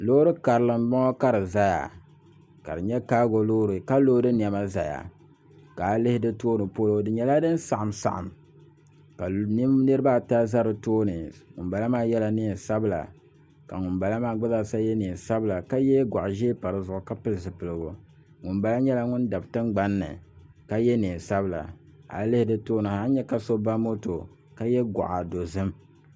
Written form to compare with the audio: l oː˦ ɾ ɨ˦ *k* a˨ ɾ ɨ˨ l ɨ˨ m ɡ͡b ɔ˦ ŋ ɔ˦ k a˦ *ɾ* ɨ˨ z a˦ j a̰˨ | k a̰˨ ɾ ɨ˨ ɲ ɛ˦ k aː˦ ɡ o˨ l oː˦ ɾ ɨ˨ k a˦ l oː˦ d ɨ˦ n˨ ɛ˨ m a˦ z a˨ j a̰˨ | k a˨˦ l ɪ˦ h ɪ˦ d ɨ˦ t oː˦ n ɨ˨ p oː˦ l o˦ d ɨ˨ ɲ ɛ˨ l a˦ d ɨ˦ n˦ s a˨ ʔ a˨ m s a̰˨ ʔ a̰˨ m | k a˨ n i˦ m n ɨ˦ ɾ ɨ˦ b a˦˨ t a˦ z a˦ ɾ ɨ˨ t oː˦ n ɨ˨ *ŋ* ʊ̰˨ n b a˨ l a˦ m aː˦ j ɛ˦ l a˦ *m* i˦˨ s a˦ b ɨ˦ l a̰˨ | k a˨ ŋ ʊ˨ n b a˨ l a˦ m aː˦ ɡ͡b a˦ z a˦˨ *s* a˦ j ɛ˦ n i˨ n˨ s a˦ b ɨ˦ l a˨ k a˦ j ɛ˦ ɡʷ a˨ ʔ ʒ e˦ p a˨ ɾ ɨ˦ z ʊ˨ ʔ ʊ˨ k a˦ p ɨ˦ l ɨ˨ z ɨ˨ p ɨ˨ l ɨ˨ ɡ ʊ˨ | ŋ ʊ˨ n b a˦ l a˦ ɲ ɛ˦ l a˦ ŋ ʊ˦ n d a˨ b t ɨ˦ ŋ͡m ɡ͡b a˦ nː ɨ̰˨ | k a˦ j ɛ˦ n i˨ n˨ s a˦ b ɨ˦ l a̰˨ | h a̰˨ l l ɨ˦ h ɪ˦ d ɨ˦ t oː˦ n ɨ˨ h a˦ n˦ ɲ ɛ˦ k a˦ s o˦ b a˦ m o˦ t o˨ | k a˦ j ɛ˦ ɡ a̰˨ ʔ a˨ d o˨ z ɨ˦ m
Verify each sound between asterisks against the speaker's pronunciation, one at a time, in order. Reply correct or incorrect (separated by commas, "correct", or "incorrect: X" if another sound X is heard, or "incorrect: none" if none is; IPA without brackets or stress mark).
correct, correct, correct, incorrect: n, correct